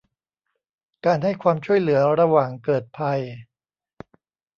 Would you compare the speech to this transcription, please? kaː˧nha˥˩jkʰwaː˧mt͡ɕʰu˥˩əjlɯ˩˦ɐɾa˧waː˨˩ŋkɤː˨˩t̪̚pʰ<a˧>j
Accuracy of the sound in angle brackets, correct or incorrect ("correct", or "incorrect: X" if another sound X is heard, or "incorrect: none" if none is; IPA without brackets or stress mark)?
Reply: correct